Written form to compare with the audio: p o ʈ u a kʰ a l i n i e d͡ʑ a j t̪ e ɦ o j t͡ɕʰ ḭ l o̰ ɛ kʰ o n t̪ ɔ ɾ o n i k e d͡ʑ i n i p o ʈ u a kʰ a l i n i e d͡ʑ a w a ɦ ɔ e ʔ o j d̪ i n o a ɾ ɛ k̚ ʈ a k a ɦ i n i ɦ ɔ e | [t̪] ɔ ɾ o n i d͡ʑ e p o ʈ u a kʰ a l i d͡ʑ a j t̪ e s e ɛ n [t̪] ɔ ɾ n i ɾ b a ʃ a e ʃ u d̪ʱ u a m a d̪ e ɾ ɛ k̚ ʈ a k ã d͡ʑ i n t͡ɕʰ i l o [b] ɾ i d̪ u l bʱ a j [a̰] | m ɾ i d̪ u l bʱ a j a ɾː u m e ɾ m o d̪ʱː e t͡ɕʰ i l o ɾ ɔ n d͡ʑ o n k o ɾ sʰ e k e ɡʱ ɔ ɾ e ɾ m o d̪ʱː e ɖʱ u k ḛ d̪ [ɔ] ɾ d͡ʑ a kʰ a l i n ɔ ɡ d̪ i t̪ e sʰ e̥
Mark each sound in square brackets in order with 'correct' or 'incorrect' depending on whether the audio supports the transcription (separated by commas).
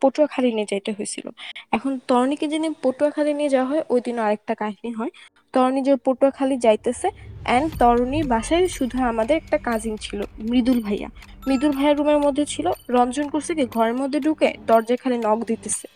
correct, correct, incorrect, correct, correct